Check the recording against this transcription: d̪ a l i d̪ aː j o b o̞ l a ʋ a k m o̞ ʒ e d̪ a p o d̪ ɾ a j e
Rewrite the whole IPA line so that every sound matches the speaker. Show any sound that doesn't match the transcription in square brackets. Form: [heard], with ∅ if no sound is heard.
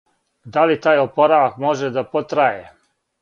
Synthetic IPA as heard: d̪ a l i [t̪] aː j o [p] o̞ [ɾ] a ʋ a k m o̞ ʒ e d̪ a p o [t̪] ɾ a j e